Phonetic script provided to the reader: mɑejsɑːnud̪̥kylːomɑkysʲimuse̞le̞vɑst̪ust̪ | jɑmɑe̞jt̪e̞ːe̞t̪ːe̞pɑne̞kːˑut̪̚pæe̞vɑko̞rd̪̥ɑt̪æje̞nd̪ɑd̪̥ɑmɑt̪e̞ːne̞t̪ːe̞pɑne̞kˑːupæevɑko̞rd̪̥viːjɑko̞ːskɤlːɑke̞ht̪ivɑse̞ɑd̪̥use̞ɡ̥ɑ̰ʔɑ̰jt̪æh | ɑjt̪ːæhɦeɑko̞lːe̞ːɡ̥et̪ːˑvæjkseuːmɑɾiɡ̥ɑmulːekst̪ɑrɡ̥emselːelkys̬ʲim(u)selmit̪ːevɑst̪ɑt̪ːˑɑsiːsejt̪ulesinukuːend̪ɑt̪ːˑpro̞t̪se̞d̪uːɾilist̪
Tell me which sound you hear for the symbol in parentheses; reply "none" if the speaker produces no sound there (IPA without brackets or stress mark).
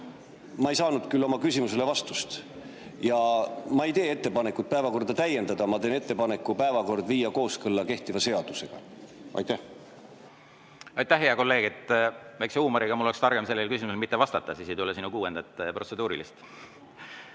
u